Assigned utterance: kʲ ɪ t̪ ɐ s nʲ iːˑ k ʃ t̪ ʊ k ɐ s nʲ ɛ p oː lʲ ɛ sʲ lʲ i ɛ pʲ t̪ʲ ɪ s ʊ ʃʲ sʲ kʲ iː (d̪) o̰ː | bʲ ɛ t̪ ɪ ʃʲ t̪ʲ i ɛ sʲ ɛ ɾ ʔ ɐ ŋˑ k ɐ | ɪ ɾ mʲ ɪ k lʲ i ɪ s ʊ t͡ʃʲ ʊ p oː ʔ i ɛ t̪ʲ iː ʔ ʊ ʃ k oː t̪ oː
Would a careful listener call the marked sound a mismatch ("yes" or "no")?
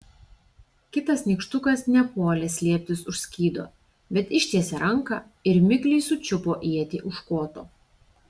no